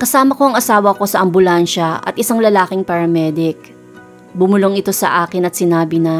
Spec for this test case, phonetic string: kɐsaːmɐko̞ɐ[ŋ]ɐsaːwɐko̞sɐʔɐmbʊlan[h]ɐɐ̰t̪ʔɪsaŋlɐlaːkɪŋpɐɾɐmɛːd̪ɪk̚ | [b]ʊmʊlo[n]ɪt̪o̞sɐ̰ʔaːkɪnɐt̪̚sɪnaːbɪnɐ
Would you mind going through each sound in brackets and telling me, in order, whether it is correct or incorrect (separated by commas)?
correct, incorrect, correct, incorrect